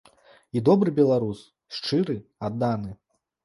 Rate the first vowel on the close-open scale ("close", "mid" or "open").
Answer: close